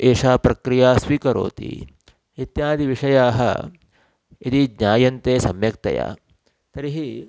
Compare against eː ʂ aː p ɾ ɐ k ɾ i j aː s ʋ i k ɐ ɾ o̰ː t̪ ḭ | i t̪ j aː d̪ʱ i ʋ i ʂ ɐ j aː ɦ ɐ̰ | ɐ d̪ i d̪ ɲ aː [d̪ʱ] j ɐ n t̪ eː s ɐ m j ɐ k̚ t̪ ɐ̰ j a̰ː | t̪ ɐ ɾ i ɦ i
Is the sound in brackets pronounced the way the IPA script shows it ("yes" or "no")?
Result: no